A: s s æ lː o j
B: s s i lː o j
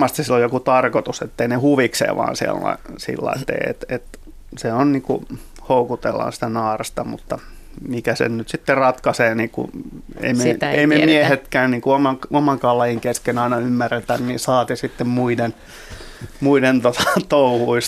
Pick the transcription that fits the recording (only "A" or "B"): B